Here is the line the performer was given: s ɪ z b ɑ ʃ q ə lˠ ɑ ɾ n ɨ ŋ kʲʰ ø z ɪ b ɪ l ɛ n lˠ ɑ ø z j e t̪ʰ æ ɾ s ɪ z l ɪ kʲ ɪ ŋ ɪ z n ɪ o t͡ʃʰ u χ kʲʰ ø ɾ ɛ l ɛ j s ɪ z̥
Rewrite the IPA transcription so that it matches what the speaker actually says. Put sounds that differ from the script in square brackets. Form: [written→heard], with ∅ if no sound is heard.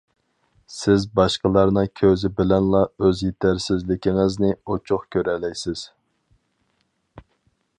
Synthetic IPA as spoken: s ɪ z b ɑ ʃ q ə lˠ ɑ ɾ n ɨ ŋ kʲʰ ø z ɪ b ɪ l ɛ n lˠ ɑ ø z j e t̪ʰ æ ɾ s ɪ z l ɪ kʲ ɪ ŋ ɪ z n ɪ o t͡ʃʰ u χ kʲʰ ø ɾ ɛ l ɛ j s ɪ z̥